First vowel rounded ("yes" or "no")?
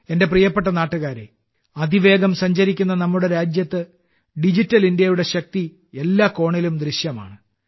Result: no